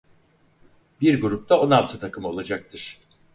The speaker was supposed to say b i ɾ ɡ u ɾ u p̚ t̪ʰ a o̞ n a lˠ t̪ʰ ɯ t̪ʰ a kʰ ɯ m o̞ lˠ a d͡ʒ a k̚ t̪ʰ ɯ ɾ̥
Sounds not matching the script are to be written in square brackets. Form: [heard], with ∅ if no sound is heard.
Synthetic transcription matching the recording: b i ɾ ɡ u ɾ u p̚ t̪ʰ a o̞ n a lˠ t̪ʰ ɯ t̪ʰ a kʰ ɯ m o̞ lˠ a d͡ʒ a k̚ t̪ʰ ɯ ɾ̥